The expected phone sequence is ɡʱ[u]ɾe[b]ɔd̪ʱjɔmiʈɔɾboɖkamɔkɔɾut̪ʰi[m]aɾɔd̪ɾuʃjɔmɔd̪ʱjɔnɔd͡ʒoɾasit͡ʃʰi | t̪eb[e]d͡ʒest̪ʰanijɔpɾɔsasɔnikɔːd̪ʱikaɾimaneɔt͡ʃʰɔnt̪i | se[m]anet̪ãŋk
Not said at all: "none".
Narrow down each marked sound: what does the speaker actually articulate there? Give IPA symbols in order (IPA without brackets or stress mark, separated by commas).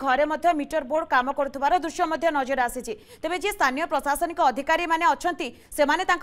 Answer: ɔ, m, b, e, m